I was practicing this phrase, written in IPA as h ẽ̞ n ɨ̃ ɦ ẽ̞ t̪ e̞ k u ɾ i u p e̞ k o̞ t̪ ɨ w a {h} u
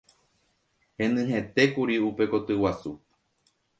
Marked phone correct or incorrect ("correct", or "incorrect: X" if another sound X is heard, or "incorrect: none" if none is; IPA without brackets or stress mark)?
incorrect: s